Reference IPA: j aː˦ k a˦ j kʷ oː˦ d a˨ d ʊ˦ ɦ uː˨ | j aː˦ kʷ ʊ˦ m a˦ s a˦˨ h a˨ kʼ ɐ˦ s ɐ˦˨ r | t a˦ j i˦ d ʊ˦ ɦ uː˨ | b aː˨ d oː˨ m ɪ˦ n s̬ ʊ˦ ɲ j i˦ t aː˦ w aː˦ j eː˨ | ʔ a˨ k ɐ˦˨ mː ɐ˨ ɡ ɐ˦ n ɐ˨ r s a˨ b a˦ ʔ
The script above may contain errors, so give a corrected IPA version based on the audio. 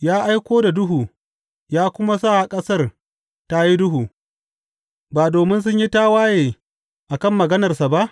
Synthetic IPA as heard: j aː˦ ʔ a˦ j kʷ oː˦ d a˨ d ʊ˦ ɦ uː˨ | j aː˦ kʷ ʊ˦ m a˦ s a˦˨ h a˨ kʼ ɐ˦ s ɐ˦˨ r | t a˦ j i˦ d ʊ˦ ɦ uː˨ | b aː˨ d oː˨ m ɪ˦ n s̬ ʊ˦ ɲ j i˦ t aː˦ w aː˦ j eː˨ | ʔ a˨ k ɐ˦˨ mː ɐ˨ ɡ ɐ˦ n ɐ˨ r s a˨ b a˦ ʔ